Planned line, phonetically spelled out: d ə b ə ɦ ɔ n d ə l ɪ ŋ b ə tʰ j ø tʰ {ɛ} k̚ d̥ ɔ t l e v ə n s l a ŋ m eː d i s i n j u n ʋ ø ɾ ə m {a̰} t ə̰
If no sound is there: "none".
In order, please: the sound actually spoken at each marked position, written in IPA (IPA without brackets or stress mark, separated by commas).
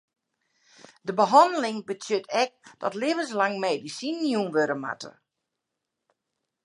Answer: ɛ, a̰